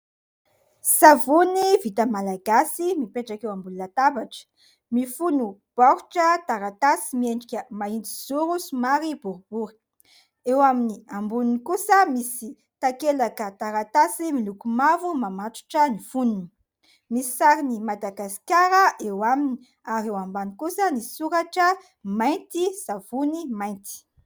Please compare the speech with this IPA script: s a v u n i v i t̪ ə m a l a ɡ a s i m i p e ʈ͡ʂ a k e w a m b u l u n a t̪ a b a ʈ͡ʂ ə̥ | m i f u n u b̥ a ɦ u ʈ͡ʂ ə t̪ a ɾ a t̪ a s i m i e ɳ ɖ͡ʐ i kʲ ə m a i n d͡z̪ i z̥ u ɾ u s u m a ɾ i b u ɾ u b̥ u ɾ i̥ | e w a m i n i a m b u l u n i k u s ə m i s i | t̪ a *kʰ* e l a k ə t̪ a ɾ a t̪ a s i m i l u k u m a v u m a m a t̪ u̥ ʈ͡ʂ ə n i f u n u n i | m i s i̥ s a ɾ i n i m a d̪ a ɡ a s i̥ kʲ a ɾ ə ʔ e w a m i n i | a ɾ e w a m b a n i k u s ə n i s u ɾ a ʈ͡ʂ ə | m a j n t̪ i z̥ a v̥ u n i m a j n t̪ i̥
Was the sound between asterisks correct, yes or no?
no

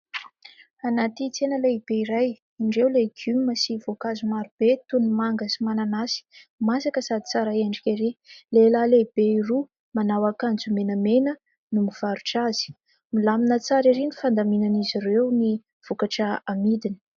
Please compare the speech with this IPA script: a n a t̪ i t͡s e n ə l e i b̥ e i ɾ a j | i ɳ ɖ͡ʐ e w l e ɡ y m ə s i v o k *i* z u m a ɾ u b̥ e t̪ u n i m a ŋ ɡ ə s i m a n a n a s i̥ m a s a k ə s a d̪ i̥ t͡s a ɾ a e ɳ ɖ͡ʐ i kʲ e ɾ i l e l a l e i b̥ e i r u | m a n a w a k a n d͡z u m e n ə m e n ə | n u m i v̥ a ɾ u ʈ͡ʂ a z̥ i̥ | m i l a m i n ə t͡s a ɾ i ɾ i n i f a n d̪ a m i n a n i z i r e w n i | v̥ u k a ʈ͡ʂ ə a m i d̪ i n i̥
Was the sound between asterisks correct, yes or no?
no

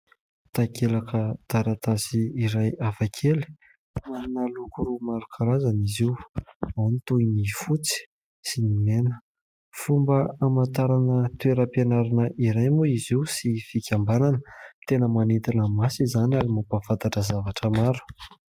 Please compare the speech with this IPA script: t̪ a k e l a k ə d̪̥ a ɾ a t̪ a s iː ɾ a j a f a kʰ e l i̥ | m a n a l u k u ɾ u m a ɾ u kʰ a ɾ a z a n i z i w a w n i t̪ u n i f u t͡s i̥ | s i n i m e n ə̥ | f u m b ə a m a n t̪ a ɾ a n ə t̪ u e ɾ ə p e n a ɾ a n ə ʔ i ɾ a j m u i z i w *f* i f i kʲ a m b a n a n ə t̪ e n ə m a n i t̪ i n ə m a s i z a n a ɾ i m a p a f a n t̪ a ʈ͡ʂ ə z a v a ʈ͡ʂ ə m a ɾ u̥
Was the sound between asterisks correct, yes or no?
no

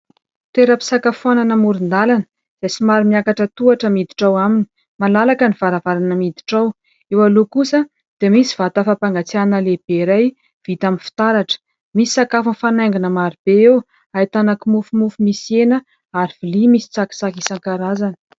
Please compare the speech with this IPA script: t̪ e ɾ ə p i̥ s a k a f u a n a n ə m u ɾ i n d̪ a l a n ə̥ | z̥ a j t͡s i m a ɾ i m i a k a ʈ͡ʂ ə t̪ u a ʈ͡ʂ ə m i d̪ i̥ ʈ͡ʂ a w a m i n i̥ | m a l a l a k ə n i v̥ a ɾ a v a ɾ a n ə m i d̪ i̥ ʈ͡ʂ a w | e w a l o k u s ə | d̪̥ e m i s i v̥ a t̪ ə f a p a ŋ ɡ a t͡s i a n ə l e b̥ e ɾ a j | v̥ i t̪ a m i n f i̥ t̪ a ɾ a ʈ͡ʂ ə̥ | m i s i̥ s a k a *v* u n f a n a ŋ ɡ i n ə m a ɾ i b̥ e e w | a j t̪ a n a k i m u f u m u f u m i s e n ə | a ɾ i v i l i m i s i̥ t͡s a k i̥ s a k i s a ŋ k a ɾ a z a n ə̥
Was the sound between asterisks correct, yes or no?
no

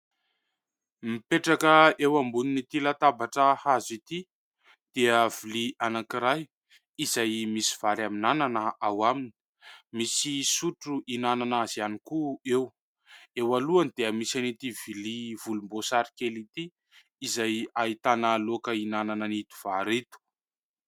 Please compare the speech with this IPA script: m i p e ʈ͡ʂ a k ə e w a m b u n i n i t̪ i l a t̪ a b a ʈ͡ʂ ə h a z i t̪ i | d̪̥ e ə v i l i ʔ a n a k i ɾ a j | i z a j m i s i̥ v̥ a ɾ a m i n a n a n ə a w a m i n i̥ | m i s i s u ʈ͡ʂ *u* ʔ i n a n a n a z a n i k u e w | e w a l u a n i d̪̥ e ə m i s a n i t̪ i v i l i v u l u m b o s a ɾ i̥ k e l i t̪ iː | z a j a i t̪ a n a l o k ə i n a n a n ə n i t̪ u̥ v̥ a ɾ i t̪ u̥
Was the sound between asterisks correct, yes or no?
yes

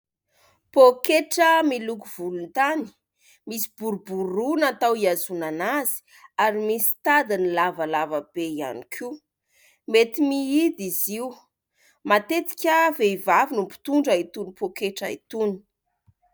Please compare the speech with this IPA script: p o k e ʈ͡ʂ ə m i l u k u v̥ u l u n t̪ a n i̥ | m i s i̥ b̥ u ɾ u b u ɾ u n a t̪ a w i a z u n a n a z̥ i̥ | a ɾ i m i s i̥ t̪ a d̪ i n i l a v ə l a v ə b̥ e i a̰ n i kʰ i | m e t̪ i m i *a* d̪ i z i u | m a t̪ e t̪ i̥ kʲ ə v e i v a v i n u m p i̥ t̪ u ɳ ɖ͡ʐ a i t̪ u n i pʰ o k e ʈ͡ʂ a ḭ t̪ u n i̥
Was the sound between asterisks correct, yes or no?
no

